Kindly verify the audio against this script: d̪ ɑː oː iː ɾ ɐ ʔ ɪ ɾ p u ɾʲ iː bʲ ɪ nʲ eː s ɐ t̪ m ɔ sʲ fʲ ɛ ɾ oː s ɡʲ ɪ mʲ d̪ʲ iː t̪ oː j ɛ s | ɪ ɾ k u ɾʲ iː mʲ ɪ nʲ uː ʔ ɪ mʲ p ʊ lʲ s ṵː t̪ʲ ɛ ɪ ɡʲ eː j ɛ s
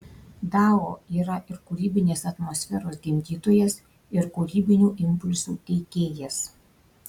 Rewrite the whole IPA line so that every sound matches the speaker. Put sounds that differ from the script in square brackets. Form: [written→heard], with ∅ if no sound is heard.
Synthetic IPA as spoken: d̪ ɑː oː iː ɾ ɐ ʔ ɪ ɾ [p→k] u ɾʲ iː bʲ ɪ nʲ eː s ɐ t̪ m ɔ sʲ fʲ ɛ ɾ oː s ɡʲ ɪ mʲ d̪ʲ iː t̪ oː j ɛ s | ɪ ɾ k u ɾʲ iː [mʲ→bʲ] ɪ nʲ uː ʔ ɪ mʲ p ʊ lʲ s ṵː t̪ʲ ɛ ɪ [ɡʲ→kʲ] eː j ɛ s